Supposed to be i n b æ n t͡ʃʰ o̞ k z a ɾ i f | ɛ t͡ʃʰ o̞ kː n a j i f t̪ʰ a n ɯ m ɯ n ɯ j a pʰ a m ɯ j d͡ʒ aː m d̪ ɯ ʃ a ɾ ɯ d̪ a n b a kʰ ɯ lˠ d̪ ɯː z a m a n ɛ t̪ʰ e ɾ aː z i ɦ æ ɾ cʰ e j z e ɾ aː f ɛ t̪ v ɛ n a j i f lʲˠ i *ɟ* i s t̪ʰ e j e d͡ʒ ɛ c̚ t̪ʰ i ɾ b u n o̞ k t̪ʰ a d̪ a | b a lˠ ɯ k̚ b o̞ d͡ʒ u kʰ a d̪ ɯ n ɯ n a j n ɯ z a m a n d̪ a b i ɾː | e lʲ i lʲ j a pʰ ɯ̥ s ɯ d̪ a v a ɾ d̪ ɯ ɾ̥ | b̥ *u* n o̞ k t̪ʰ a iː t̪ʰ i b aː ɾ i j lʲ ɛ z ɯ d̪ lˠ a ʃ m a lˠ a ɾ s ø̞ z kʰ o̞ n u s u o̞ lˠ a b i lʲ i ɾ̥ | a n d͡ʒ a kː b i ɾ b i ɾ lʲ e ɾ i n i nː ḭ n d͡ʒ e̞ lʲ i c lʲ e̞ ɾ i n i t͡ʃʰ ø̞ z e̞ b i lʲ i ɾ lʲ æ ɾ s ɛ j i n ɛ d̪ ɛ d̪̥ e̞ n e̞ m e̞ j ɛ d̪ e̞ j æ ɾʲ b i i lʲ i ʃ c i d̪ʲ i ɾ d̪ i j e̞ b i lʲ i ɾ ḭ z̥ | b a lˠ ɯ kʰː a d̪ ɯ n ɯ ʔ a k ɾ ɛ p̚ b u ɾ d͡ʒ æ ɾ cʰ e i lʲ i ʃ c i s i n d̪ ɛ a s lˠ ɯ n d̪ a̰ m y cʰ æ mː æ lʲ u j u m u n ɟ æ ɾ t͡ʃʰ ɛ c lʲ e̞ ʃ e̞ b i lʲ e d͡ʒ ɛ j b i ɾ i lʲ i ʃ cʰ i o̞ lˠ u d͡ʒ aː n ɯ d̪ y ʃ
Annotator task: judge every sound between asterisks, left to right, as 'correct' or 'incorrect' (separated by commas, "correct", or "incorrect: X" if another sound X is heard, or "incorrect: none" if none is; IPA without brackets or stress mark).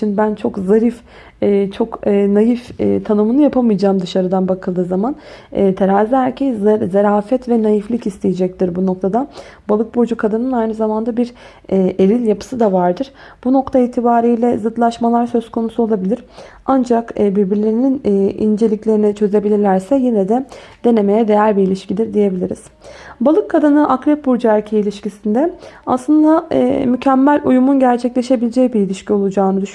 incorrect: c, correct